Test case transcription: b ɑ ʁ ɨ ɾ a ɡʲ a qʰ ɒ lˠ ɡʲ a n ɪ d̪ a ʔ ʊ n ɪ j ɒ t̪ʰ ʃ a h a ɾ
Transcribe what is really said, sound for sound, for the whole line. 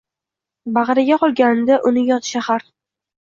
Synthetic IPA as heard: b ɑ ʁ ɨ ɾ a ɡʲ a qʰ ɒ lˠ ɡʲ a n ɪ d̪ a ʔ ʊ n ɪ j ɒ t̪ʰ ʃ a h a ɾ